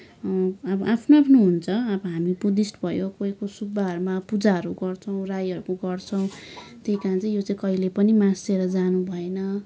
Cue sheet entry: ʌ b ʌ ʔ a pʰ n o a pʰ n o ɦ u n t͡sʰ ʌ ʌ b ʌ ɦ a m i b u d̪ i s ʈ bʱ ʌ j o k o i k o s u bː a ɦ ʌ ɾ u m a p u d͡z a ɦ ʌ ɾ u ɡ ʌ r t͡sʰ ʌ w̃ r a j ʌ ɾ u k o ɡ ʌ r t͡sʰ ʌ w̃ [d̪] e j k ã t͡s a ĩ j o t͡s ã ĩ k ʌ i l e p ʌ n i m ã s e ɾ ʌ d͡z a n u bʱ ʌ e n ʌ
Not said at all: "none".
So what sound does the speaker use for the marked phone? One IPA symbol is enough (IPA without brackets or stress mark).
t̪